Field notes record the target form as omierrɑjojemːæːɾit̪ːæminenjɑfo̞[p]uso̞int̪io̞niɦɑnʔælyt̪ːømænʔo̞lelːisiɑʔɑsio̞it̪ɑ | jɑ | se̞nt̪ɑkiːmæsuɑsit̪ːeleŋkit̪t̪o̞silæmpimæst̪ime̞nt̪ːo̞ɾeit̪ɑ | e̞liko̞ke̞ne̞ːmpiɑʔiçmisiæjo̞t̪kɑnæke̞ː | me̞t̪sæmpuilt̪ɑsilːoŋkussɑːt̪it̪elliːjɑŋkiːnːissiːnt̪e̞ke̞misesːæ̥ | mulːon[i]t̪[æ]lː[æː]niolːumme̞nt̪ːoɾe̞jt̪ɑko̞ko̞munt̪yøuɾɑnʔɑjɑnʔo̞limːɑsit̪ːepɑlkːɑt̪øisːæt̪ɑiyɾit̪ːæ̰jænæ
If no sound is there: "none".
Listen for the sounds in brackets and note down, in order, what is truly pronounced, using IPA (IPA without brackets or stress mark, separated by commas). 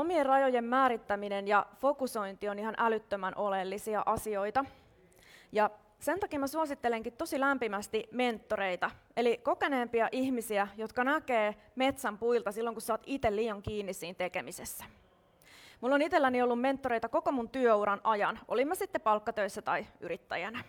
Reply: k, i, e, æ